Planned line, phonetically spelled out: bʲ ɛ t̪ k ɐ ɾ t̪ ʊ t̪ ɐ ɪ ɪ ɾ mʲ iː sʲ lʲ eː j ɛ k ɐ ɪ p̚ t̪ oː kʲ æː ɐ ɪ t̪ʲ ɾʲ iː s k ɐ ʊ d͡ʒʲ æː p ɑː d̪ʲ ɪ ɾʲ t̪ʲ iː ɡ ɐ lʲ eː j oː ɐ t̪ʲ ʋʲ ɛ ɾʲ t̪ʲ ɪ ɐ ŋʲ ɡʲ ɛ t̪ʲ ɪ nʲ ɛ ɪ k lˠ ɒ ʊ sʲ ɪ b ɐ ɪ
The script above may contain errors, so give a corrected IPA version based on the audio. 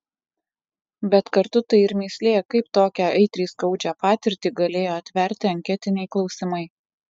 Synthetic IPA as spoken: bʲ ɛ t̪ k ɐ ɾ t̪ ʊ t̪ ɐ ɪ ɪ ɾ mʲ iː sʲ lʲ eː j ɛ k ɐ ɪ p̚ t̪ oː kʲ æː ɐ ɪ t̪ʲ ɾʲ iː s k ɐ ʊ d͡ʒʲ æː p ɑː t̪ʲ ɪ ɾʲ t̪ʲ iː ɡ ɐ lʲ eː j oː ɐ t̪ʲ ʋʲ ɛ ɾʲ t̪ʲ ɪ ɐ ŋʲ kʲ ɛ t̪ʲ ɪ nʲ ɛ ɪ k lˠ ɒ ʊ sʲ ɪ m ɐ ɪ